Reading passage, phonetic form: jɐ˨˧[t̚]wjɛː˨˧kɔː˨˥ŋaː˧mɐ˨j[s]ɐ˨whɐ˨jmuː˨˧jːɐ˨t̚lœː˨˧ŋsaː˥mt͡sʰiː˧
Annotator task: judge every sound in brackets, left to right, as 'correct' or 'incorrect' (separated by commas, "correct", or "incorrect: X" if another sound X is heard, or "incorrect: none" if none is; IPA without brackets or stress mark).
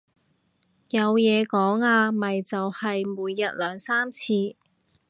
incorrect: none, incorrect: t͡s